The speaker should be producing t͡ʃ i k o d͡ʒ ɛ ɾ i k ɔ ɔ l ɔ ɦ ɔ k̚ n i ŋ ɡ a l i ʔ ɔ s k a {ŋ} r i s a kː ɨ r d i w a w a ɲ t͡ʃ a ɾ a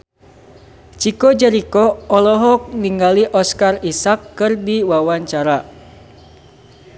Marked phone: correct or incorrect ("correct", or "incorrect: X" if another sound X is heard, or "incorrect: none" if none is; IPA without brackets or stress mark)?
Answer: incorrect: none